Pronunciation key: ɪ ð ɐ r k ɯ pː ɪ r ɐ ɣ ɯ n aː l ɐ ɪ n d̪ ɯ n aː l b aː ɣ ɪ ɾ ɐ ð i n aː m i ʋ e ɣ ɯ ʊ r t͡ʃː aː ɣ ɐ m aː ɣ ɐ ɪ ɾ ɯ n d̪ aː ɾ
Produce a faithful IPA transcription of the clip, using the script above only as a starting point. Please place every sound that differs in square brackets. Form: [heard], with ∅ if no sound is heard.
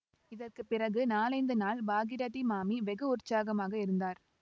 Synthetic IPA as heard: ɪ ð ɐ r k ɯ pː ɪ r ɐ ɣ ɯ n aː l ɐ ɪ n d̪ ɯ n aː l b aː ɣ ɪ ɾ ɐ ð i [m] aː m i ʋ [ɛ] ɣ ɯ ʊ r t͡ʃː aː ɣ ɐ m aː ɣ ɐ ɪ ɾ ɯ n d̪ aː ɾ